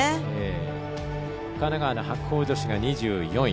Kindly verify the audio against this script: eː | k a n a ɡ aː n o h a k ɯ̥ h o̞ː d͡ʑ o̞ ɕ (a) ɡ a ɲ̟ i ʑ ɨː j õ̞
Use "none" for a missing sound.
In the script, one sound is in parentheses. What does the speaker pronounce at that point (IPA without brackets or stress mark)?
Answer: i